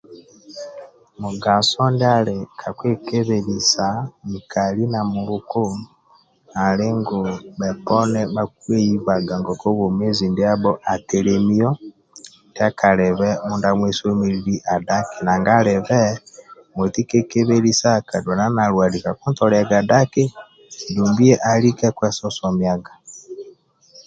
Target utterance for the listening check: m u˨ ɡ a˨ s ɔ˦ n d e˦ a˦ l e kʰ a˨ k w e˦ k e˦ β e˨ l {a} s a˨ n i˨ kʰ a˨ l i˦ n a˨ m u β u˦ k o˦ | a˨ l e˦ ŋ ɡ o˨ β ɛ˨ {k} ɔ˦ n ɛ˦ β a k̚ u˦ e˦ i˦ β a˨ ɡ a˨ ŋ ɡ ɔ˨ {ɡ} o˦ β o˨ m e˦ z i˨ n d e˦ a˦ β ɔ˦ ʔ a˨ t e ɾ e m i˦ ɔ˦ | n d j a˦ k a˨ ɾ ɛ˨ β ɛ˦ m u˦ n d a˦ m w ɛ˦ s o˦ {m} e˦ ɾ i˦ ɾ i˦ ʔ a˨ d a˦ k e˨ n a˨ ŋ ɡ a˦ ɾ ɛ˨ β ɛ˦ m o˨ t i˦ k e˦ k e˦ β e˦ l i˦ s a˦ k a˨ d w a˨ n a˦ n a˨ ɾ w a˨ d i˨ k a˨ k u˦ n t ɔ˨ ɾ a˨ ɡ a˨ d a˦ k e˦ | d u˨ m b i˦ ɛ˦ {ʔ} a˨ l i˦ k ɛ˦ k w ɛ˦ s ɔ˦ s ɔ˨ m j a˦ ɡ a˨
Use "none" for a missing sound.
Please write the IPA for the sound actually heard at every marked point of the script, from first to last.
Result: i, p, k, m, ʔ

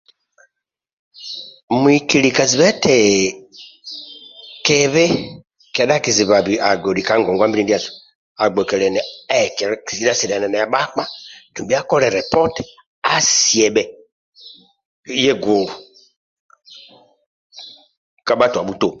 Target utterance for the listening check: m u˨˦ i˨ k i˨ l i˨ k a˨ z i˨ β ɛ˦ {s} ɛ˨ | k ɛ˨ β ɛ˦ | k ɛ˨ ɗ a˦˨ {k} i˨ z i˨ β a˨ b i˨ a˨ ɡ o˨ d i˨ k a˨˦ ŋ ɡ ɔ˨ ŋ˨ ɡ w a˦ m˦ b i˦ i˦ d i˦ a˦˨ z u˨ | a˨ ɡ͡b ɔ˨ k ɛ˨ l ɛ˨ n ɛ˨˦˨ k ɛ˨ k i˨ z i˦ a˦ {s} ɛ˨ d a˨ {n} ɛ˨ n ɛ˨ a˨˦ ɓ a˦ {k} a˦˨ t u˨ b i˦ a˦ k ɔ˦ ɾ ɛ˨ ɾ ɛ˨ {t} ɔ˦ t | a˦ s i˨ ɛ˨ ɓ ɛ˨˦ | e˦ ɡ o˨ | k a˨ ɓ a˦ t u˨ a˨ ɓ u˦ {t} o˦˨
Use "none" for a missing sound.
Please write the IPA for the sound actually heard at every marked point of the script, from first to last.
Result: t, k, s, n, k͡p, p, t

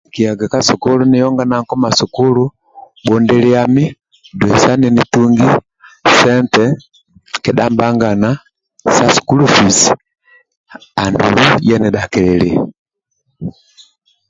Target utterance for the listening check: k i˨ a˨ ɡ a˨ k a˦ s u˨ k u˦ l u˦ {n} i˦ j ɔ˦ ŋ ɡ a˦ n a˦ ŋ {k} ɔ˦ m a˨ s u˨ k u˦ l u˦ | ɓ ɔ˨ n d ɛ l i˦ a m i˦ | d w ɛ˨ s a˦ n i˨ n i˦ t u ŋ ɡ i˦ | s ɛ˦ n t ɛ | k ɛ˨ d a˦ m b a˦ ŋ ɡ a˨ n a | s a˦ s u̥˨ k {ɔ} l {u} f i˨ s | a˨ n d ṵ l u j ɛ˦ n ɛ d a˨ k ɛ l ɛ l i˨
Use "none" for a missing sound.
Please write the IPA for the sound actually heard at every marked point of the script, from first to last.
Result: n, k, u, u

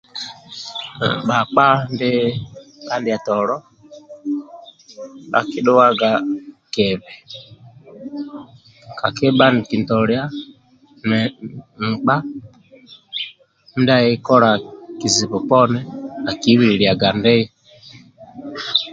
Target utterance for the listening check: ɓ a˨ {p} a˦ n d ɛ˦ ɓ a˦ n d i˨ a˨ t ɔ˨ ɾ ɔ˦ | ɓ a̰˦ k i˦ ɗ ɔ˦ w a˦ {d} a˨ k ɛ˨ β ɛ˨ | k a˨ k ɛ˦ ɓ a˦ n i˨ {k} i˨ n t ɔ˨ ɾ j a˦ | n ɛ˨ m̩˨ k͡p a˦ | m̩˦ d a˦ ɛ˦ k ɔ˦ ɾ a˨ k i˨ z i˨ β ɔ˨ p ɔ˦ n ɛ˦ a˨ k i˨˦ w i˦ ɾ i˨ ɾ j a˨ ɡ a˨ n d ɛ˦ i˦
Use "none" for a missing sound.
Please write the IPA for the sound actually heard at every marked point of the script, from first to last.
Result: k͡p, ɡ, k

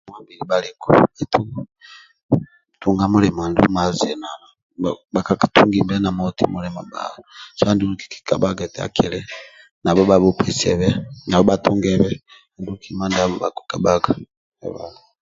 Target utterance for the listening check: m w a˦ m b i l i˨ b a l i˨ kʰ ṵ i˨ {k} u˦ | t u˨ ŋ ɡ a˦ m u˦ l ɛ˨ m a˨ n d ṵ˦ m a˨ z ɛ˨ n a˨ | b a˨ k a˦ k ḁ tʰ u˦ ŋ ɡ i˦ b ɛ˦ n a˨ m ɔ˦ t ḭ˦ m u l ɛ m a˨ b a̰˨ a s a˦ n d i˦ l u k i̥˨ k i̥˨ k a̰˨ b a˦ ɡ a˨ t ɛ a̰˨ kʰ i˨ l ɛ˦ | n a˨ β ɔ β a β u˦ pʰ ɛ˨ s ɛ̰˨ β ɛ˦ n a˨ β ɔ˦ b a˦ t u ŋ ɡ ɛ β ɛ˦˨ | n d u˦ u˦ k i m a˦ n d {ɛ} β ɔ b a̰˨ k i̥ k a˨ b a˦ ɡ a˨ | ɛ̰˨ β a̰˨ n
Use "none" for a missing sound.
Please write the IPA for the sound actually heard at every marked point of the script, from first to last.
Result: t, a

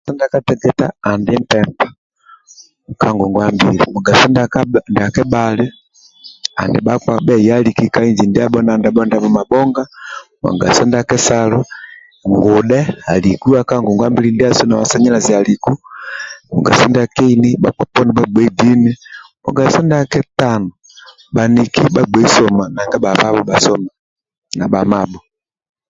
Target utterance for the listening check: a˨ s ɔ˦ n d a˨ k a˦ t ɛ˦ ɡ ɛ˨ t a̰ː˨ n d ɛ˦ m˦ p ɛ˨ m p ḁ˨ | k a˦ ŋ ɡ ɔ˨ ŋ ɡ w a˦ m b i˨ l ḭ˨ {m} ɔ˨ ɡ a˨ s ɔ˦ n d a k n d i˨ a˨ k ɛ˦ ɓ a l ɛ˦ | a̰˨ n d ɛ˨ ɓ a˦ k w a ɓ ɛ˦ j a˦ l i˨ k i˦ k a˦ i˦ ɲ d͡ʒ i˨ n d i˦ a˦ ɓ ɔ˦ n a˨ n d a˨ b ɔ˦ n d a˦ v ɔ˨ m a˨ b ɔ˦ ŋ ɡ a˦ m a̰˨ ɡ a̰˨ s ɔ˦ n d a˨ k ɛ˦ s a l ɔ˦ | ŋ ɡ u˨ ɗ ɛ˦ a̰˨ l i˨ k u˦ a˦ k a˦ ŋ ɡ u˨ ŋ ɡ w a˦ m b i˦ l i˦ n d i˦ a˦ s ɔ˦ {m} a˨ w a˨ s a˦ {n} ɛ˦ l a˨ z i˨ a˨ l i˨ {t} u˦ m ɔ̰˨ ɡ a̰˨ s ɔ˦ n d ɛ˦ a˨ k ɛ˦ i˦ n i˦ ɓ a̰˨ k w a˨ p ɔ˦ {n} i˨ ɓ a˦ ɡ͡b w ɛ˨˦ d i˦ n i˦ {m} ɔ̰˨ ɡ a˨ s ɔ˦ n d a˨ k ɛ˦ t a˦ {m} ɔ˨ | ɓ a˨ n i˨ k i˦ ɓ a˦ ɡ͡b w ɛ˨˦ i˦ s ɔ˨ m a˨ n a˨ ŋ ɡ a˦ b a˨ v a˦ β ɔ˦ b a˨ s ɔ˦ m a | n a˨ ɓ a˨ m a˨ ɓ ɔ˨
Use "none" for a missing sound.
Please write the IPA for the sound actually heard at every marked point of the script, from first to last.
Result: m, n, ɲ, k, n, m, n

